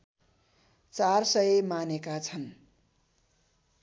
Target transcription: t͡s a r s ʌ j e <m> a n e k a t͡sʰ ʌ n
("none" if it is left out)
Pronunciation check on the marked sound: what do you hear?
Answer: m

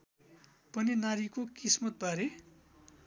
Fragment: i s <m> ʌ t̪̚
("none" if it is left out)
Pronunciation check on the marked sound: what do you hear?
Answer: m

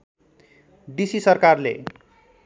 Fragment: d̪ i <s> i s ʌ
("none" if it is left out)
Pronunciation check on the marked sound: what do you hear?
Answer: s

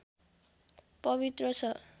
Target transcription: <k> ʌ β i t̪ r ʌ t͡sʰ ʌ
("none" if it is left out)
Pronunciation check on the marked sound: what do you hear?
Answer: p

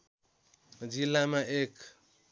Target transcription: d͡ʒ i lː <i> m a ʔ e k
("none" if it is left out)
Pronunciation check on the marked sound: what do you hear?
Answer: a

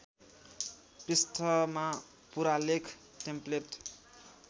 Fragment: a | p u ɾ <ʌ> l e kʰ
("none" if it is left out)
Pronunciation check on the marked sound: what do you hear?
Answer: a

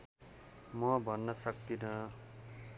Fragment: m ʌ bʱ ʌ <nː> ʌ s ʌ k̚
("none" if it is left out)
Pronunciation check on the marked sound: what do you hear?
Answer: nː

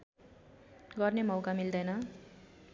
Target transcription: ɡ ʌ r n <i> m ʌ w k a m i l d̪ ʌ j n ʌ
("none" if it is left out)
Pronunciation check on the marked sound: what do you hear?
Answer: e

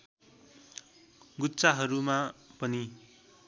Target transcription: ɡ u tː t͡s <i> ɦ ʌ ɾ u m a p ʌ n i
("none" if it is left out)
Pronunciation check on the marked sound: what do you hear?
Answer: a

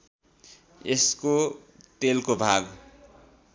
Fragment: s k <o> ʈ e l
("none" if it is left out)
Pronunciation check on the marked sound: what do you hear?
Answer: o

